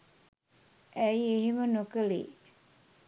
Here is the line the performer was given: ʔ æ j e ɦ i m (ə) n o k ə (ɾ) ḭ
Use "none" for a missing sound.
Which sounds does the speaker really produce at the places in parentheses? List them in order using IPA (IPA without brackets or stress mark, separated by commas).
ə, l